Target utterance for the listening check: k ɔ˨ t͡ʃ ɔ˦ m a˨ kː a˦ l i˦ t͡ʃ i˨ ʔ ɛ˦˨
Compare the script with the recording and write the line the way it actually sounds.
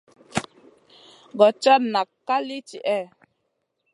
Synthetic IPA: ɡ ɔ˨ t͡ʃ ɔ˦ n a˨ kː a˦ l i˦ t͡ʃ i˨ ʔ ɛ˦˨